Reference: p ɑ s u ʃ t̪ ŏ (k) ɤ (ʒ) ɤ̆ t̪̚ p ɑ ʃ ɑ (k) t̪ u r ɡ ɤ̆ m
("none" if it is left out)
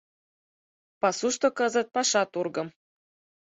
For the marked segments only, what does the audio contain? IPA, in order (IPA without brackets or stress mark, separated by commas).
k, z, none